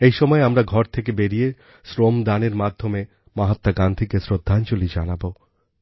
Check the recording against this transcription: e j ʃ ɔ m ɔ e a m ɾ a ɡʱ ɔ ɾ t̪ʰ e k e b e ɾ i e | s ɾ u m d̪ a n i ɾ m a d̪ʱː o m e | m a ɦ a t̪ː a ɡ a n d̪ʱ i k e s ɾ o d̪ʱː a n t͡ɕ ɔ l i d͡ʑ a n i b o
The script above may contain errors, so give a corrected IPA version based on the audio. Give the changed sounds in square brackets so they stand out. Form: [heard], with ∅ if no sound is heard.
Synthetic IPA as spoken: e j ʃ ɔ m ɔ e a m ɾ a ɡʱ ɔ ɾ t̪ʰ e k e b e ɾ i e | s ɾ [o] m d̪ a n [e] ɾ m a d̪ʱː o m e | m a ɦ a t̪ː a ɡ a n d̪ʱ i k e s ɾ o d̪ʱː a n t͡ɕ [o] l i d͡ʑ a n [a] b o